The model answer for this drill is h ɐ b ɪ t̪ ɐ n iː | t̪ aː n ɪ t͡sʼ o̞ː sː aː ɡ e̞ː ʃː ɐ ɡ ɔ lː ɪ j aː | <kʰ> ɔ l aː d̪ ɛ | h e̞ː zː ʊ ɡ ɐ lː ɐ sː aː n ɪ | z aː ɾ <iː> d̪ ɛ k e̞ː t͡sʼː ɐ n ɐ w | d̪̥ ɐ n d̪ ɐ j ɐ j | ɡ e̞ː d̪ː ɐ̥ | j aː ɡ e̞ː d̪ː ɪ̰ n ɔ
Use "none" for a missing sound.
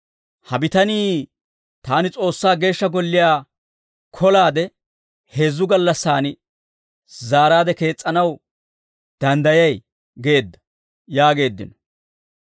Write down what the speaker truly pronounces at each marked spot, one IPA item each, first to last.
kʰ, aː

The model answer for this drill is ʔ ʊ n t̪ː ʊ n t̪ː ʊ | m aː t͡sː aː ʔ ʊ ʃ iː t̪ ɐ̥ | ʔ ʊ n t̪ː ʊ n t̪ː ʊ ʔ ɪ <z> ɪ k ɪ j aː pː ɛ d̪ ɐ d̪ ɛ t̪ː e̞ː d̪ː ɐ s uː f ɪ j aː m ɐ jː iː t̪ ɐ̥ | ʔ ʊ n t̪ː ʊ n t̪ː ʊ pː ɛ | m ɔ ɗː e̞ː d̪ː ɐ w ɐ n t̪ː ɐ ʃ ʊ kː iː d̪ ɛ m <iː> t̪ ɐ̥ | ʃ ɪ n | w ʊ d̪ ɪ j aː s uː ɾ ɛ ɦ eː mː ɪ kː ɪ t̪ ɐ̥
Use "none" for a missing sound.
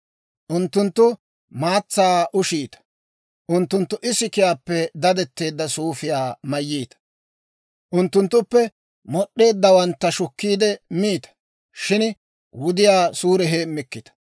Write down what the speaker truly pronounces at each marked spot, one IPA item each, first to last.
s, iː

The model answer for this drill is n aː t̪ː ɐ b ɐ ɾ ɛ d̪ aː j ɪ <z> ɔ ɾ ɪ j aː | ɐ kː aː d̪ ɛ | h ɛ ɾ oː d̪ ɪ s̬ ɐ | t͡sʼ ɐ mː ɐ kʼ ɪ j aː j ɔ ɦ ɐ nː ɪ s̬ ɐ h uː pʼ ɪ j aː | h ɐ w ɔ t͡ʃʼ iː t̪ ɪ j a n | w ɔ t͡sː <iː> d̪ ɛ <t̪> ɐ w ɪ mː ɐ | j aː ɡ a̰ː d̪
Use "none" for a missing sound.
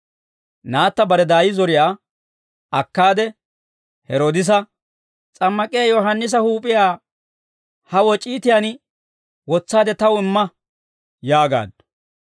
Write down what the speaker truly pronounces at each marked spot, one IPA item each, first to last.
z, aː, t̪

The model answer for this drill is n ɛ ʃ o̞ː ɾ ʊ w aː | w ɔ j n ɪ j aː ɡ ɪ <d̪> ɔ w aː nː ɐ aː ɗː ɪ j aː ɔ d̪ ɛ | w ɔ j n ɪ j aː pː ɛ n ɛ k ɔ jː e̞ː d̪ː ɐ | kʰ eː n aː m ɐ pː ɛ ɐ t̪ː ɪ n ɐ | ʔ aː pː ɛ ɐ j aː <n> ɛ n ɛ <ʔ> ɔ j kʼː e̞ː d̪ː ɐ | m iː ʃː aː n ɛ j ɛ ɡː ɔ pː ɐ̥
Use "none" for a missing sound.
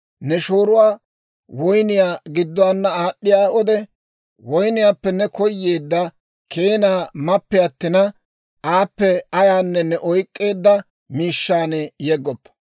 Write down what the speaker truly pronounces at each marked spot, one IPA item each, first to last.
d̪ː, nː, ʔ

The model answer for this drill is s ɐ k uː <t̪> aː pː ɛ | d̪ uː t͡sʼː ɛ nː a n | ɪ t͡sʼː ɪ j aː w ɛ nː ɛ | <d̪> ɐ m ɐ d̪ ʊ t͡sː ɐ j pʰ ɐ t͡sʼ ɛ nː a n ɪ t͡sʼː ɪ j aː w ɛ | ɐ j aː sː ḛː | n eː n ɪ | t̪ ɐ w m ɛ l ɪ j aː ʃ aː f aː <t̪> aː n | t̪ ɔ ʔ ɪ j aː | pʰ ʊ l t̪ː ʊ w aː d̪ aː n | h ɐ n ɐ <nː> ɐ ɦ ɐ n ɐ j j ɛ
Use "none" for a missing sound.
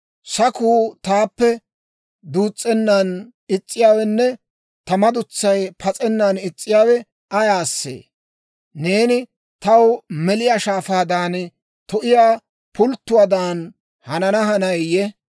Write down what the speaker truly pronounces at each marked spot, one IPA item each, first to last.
t̪, t̪, d̪, n

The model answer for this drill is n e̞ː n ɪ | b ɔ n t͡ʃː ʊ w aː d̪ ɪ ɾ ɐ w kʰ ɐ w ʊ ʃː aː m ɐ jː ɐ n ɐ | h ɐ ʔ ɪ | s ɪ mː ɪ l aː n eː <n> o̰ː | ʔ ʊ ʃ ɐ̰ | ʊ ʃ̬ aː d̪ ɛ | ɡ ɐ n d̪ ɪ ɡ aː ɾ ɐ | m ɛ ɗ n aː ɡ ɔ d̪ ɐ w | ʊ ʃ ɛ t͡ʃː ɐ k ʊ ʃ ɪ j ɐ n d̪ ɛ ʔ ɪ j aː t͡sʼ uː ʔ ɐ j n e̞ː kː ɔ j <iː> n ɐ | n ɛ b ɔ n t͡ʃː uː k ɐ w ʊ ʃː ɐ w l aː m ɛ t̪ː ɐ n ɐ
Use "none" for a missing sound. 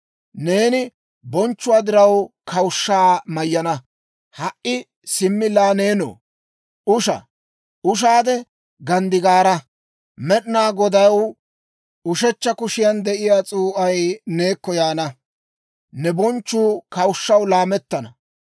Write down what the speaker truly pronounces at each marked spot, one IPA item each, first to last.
n, aː

